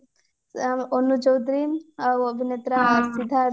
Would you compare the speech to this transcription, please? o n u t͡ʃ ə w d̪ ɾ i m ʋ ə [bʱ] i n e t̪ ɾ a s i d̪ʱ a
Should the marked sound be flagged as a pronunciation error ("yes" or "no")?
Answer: no